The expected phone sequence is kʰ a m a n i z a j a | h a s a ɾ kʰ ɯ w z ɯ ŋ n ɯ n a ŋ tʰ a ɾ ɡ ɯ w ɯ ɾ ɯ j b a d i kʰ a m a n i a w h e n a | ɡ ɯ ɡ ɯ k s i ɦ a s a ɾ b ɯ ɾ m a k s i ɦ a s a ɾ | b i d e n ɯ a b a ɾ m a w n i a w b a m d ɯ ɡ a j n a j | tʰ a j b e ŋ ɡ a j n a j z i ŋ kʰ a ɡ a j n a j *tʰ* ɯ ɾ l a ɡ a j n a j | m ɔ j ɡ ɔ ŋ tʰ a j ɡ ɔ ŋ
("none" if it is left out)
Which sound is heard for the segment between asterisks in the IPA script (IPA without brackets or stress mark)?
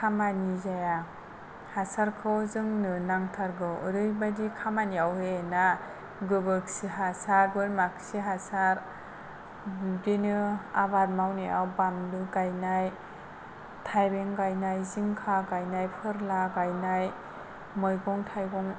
pʰ